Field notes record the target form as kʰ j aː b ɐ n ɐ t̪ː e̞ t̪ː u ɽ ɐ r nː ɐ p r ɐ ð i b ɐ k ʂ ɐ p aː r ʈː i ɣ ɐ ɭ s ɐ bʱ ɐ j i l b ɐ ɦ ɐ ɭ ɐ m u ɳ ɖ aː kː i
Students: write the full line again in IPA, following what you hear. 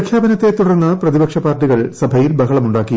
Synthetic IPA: kʰ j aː b ɐ n ɐ t̪ː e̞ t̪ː u ɽ ɐ r nː ɐ p r ɐ ð i b ɐ k ʂ ɐ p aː r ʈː i ɣ ɐ ɭ s ɐ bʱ ɐ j i l b ɐ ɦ ɐ ɭ ɐ m u ɳ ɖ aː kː i